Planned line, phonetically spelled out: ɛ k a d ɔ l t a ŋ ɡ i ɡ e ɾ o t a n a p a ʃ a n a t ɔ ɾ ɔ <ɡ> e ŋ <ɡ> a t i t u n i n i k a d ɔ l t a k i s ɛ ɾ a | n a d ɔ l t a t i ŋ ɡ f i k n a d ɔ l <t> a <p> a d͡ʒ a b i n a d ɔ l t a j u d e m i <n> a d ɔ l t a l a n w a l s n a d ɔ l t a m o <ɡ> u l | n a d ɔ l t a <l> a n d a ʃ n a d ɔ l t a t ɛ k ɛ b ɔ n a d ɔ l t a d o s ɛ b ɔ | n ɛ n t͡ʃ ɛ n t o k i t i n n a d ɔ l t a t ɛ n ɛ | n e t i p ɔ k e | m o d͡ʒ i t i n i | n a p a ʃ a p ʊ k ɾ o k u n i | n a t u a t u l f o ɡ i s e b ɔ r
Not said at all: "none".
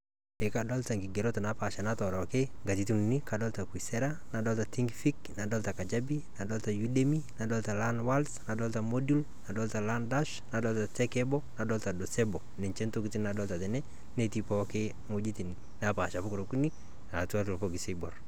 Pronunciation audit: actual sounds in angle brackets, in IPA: k, ɡ, t, k, n, d, l

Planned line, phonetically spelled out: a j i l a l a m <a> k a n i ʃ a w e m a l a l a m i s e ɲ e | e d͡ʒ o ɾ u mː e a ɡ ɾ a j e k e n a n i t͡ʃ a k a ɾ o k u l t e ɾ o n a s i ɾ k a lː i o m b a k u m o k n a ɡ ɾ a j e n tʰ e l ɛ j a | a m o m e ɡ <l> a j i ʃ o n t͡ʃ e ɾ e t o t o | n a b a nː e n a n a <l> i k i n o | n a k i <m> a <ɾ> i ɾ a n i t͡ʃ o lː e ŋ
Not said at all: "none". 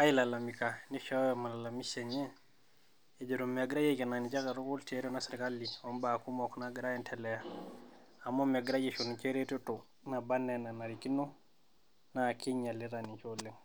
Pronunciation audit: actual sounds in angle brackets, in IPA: i, ɾ, ɾ, ɲ, l

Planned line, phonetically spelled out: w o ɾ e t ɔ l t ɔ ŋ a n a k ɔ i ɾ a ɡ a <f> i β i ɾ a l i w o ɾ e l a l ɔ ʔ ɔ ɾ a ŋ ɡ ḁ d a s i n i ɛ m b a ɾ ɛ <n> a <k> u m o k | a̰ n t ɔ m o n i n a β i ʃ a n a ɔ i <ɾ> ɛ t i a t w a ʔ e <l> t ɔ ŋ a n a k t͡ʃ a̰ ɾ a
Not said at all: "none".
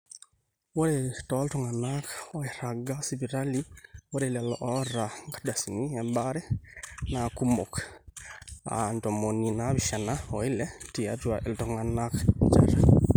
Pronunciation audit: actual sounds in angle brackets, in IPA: s, n, k, l, l

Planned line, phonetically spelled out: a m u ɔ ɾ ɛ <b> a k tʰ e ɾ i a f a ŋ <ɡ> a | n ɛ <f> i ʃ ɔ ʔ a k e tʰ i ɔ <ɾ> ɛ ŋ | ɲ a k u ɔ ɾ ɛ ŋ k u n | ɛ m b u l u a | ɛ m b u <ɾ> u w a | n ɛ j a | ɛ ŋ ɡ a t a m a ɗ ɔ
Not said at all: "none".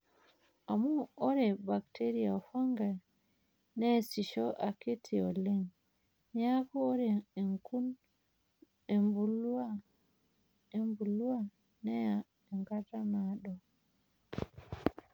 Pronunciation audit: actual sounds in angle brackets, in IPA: b, ɡ, s, l, l

